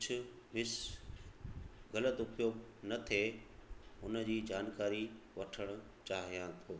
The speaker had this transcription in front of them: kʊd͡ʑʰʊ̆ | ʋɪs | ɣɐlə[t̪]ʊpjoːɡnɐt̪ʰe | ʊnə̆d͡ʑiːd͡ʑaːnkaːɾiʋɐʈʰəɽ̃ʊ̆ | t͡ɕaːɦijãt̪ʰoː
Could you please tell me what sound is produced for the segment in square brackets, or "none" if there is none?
t̪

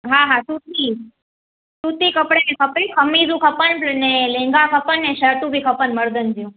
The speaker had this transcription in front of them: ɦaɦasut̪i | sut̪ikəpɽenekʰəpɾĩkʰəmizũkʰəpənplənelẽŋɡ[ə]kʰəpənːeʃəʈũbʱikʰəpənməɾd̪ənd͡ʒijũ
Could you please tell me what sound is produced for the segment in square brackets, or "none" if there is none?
a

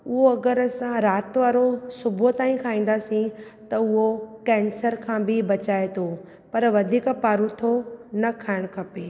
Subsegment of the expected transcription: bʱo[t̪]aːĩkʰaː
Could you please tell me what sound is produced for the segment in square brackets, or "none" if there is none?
t̪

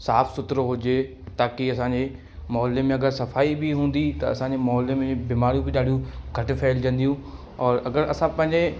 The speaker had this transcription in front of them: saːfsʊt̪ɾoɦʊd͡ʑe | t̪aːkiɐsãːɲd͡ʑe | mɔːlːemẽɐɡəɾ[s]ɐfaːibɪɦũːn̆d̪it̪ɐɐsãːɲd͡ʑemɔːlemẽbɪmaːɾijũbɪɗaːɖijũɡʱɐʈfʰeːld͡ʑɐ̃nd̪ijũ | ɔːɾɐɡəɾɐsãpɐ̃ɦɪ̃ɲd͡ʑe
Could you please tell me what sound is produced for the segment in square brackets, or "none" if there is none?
s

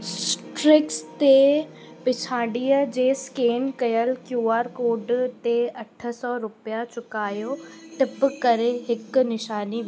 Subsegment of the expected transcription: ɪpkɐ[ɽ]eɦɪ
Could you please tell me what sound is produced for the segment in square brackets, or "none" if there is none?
ɾ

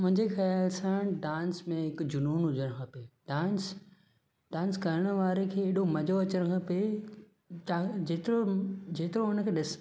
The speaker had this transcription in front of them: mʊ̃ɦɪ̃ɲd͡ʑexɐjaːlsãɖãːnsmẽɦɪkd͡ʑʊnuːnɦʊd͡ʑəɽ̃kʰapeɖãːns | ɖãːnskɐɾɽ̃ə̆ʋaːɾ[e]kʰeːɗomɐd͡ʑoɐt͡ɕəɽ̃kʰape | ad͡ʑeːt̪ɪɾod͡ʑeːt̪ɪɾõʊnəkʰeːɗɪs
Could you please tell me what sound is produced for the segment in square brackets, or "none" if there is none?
e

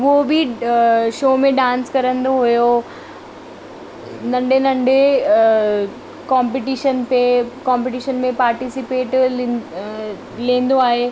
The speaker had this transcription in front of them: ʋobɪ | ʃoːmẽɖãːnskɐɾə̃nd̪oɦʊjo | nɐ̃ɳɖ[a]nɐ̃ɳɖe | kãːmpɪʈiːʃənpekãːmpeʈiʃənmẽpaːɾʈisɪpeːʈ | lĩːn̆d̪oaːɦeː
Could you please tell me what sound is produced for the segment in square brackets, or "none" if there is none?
e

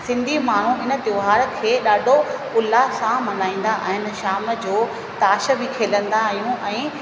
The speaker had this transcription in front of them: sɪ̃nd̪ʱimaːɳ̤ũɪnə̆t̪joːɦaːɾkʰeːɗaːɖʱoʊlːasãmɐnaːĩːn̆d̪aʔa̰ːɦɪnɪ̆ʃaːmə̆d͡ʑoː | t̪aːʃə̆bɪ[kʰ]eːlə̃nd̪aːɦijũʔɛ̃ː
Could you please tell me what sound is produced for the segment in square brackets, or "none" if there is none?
kʰ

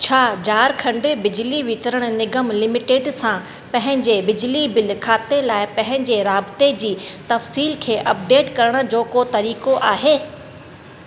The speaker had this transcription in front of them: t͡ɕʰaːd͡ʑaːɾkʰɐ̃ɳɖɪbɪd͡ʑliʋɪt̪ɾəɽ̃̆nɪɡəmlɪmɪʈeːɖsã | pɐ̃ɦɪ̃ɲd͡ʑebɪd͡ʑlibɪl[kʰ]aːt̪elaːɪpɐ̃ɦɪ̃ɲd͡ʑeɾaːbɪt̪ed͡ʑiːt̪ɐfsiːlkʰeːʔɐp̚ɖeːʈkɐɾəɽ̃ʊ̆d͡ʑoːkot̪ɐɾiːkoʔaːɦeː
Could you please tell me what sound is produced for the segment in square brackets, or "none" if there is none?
kʰ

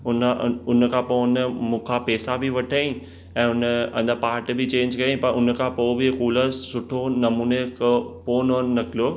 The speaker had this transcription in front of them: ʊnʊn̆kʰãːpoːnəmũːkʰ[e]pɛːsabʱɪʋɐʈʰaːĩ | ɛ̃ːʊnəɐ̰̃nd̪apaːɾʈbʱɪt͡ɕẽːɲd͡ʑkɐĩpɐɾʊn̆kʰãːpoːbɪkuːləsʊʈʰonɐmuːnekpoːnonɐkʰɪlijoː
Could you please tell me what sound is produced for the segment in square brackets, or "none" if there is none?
a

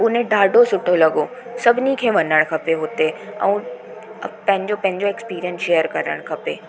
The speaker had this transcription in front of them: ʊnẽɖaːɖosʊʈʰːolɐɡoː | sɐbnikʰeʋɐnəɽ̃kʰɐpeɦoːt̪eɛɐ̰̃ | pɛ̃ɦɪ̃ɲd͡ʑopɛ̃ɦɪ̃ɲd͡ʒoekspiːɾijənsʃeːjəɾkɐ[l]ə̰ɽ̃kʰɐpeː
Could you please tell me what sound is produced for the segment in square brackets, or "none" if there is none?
ɾ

